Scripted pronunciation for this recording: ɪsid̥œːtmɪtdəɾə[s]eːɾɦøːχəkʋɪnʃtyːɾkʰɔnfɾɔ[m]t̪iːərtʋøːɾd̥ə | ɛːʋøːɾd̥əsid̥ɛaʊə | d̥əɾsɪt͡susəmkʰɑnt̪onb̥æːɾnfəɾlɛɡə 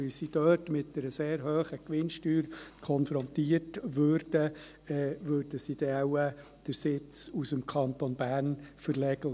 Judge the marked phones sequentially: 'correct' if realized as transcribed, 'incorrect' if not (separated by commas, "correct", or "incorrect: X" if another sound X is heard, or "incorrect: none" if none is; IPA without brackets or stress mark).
correct, incorrect: n